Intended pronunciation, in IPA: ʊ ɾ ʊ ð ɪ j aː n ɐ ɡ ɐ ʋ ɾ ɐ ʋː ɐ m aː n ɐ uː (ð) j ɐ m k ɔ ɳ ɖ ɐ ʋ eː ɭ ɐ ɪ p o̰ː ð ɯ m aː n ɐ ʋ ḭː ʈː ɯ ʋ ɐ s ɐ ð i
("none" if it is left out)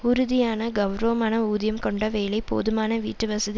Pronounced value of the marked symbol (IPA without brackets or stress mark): ð